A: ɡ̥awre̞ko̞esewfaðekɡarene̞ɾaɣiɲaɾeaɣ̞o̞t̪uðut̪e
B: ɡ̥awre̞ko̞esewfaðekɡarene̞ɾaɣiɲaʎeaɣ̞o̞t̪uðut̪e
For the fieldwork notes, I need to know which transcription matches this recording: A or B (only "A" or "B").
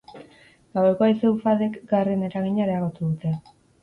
A